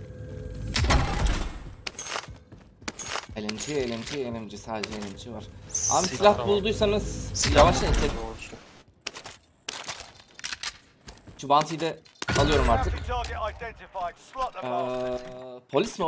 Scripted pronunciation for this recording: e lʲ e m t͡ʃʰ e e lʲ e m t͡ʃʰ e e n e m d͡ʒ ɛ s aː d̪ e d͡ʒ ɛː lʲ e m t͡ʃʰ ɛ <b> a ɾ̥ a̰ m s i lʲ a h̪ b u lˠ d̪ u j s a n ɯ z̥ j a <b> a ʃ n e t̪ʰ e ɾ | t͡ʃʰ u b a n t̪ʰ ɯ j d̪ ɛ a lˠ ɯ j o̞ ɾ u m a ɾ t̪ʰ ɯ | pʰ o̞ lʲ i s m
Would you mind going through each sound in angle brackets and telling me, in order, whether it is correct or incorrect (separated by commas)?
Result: incorrect, incorrect